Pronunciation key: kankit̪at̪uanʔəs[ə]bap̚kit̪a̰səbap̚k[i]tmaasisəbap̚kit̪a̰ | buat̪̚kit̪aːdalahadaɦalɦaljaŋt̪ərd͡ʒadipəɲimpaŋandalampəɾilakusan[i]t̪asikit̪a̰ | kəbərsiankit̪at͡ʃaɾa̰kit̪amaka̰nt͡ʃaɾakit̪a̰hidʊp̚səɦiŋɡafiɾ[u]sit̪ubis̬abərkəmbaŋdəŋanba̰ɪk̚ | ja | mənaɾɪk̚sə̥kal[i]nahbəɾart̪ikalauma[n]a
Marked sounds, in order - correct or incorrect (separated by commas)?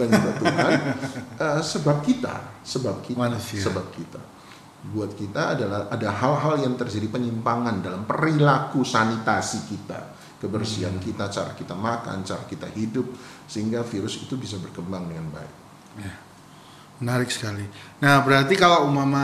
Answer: correct, correct, correct, incorrect, correct, incorrect